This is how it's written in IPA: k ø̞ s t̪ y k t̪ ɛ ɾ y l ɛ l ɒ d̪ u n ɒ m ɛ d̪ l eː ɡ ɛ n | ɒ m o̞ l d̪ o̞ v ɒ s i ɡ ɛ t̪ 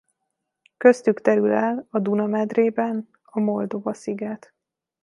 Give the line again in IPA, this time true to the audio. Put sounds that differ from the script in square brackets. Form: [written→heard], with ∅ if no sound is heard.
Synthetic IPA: k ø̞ s t̪ y k t̪ ɛ ɾ y l ɛ l ɒ d̪ u n ɒ m ɛ d̪ [l→r] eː [ɡ→b] ɛ n | ɒ m o̞ l d̪ o̞ v ɒ s i ɡ ɛ t̪